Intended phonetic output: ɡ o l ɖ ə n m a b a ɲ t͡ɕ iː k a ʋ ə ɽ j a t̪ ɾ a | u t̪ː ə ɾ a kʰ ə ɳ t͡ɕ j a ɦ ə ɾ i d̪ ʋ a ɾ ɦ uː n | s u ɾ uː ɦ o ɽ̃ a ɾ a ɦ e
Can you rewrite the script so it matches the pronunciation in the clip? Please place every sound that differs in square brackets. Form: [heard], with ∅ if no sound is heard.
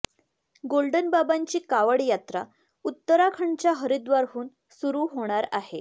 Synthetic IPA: ɡ o l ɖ ə n [b] a b a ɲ t͡ɕ iː k a ʋ ə ɽ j a t̪ ɾ a | u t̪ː ə ɾ a kʰ ə ɳ t͡ɕ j a ɦ ə ɾ i d̪ ʋ a ɾ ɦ uː n | s u ɾ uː ɦ o ɽ̃ a ɾ a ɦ e

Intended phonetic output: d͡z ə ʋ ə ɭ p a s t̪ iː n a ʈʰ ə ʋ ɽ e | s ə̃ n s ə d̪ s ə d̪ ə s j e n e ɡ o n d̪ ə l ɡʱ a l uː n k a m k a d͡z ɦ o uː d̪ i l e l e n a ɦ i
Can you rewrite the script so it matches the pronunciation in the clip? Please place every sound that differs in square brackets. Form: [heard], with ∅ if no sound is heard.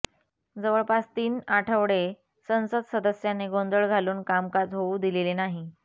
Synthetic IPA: d͡z ə ʋ ə ɭ p a s t̪ iː n a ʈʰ ə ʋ ɽ e | s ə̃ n s ə d̪ s ə d̪ ə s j [a] n e ɡ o n d̪ ə [ɭ] ɡʱ a l uː n k a m k a d͡z ɦ o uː d̪ i l e l e n a ɦ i

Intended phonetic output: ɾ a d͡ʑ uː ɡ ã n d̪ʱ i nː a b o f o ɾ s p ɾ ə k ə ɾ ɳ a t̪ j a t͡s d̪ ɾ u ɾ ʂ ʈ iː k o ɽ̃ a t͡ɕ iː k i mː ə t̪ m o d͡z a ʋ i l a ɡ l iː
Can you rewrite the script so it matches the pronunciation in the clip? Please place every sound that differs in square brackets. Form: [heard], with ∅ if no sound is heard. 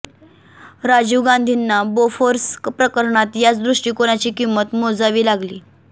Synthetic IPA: ɾ a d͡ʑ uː ɡ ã n d̪ʱ i nː a b o f o ɾ s p ɾ ə k ə ɾ ɳ a t̪ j a t͡s d̪ ɾ u [∅] ʂ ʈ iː k o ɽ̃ a t͡ɕ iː k i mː ə t̪ m o d͡z a ʋ [iː] l a ɡ l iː

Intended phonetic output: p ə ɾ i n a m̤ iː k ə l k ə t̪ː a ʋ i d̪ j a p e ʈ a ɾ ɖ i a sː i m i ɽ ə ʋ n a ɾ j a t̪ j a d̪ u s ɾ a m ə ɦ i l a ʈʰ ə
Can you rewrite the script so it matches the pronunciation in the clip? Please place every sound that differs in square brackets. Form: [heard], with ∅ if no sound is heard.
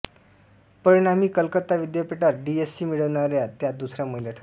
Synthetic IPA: p ə ɾ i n a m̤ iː k ə l k ə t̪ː a ʋ i d̪ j a p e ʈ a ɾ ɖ i [e] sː i m i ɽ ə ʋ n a ɾ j a t̪ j a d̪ u s ɾ a m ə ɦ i l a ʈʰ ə

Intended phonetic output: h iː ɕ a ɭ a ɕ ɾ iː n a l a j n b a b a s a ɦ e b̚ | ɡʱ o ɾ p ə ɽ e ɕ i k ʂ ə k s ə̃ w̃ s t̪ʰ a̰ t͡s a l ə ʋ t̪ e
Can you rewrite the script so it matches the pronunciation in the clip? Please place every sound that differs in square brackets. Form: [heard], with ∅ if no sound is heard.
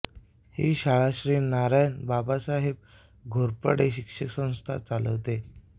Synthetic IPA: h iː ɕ a ɭ a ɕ ɾ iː n a [ɾ] a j n b a b a s a ɦ e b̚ | ɡʱ o ɾ p ə ɽ e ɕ i k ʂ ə k s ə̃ w̃ s t̪ʰ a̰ t͡s a l ə ʋ t̪ e

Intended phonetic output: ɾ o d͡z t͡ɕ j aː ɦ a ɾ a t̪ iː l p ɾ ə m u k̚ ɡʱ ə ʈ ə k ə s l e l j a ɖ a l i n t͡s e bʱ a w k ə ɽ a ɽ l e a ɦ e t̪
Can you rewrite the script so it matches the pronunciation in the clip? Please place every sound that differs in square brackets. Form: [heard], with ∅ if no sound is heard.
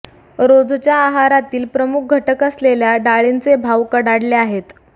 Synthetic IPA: ɾ o d͡z t͡ɕ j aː ɦ a ɾ a t̪ iː l p ɾ ə m u k̚ ɡʱ ə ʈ ə k ə s l e l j a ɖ a [ɭ] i n t͡s e bʱ a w k ə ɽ a ɽ l e a ɦ e t̪

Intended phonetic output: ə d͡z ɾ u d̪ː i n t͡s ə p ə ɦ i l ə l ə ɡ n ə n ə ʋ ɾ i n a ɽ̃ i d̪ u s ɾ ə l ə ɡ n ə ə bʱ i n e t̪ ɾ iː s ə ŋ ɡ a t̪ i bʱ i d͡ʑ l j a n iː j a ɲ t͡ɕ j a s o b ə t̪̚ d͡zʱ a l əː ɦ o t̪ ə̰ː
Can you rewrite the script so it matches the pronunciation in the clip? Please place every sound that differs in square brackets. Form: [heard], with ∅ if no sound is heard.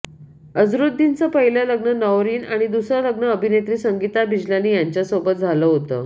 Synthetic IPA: ə d͡z ɾ u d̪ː i n t͡s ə p ə ɦ i l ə l ə ɡ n ə n ə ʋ ɾ [iː] n a ɽ̃ i d̪ u s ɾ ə l ə ɡ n ə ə bʱ i n e t̪ ɾ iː s ə ŋ ɡ [i] t̪ [a] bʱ i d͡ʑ l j a n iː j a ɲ t͡ɕ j a s o b ə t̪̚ d͡zʱ a l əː ɦ o t̪ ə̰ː

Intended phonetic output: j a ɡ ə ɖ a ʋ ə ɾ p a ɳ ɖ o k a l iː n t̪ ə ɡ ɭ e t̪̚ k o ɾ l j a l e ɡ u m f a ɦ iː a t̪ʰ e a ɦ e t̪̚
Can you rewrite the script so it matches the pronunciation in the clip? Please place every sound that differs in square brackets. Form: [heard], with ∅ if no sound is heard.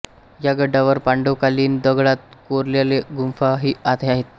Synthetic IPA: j a ɡ ə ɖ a ʋ ə ɾ p a ɳ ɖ o k a l iː n [d̪] ə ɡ ɭ [a] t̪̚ k o ɾ l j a l e ɡ u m f a ɦ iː a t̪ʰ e a ɦ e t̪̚

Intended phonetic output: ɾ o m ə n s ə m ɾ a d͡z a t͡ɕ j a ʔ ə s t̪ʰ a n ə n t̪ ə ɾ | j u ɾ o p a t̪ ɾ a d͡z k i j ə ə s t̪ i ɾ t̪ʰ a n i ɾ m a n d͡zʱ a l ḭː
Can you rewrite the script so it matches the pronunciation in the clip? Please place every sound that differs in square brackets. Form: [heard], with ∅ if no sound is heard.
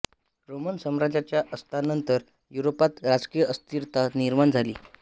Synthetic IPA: ɾ o m ə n s ə m ɾ a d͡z a t͡ɕ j a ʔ ə s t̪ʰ a n ə n t̪ ə ɾ | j u ɾ o p a t̪ ɾ a d͡z k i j ə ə s t̪ i ɾ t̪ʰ a n i ɾ m a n d͡zʱ a l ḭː

